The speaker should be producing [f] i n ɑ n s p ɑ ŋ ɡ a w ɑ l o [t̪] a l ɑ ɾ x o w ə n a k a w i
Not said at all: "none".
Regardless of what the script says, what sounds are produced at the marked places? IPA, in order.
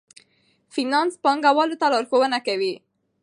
f, t̪

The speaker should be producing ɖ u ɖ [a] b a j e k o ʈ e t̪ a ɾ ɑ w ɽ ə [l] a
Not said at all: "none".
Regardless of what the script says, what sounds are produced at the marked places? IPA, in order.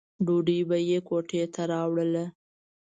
i, l

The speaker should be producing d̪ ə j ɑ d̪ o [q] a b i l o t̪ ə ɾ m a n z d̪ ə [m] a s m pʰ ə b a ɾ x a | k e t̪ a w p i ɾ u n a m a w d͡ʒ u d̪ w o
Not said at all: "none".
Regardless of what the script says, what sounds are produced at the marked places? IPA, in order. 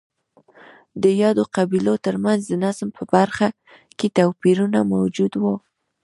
q, n

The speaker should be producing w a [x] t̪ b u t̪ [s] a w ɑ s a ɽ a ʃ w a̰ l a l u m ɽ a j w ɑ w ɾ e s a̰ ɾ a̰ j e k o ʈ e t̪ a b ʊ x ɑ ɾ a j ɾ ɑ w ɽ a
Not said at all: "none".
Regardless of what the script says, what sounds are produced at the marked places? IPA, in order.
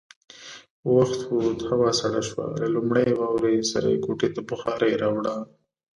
x, h

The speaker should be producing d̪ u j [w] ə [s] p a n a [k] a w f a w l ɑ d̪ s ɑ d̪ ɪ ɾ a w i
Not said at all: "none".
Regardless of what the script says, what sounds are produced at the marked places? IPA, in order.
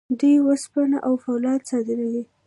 w, s, ʔ

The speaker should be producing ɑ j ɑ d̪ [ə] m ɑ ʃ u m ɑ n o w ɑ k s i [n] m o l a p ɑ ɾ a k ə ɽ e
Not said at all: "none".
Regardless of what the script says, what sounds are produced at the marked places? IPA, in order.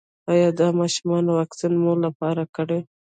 ɑ, n

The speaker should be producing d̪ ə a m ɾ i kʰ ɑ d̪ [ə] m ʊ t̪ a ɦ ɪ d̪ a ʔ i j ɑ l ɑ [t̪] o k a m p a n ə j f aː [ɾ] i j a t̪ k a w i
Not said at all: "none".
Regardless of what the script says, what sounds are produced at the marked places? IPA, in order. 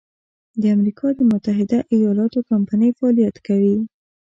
ə, t̪, l

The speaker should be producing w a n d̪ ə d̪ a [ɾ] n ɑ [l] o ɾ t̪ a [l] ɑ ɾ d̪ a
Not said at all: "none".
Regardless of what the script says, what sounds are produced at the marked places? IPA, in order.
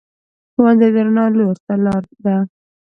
ɾ, l, l

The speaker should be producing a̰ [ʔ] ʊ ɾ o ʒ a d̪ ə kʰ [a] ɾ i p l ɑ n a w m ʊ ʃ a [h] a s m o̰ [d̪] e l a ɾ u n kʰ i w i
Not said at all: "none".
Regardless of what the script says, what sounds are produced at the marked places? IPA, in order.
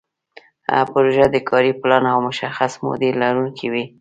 p, ɑ, x, d̪

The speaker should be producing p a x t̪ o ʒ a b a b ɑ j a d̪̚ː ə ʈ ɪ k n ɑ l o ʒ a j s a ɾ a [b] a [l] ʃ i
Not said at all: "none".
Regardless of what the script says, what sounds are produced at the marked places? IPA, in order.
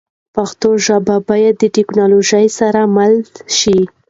m, l

